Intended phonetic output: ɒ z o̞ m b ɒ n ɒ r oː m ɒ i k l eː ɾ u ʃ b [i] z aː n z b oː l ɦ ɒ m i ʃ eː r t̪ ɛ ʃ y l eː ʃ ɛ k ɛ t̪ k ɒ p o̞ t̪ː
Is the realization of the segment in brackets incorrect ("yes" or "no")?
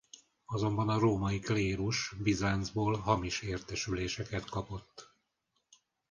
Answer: no